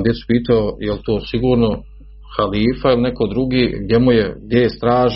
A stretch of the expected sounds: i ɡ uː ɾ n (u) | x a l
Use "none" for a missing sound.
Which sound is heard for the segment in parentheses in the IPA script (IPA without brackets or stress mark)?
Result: o